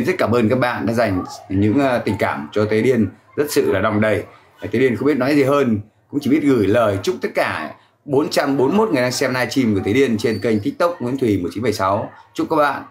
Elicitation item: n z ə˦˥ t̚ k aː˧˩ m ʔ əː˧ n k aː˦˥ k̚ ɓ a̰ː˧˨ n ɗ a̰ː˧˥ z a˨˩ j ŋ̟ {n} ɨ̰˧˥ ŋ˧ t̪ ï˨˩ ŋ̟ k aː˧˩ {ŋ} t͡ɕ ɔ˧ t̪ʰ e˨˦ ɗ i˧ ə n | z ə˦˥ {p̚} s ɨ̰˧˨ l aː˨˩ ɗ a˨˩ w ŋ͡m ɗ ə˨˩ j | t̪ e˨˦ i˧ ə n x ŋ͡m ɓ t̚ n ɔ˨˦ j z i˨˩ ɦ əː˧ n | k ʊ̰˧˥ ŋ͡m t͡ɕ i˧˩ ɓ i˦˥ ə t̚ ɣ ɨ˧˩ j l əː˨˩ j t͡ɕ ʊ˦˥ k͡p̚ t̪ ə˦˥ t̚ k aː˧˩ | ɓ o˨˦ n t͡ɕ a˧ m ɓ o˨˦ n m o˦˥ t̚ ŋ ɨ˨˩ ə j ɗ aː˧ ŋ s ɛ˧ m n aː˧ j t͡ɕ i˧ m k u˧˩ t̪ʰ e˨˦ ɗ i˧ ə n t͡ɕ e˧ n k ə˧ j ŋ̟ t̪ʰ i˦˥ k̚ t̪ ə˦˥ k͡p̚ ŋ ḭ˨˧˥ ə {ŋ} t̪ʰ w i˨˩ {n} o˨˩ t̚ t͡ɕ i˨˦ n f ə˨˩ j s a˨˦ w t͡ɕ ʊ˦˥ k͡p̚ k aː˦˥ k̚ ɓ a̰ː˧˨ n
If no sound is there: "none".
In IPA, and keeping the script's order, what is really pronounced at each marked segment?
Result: ɲ, m, t̚, n, m

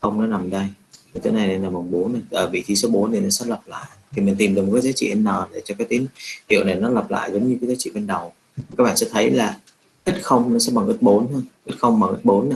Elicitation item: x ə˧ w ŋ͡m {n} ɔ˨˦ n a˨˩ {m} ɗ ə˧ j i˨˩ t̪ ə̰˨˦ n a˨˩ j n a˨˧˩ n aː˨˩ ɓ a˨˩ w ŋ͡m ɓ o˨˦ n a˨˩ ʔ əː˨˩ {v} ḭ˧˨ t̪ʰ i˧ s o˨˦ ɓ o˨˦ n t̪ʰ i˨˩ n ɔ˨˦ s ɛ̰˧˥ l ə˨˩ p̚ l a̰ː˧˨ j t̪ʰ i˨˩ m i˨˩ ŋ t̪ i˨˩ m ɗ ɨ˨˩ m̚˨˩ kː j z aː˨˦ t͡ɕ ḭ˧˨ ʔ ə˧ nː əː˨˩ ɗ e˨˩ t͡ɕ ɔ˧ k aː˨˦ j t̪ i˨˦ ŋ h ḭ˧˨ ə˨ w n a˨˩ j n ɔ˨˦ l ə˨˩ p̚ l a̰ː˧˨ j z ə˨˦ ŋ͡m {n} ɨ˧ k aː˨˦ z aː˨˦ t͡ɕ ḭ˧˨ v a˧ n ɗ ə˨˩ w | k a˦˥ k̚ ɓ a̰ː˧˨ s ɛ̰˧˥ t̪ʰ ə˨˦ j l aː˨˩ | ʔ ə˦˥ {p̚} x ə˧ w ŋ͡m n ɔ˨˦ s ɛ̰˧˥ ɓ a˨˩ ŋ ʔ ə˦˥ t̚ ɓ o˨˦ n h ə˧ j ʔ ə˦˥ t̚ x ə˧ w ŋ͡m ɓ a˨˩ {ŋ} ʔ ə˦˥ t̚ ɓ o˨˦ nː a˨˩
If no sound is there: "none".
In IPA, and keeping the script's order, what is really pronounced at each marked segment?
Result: n, m, v, ɲ, t̚, ŋ

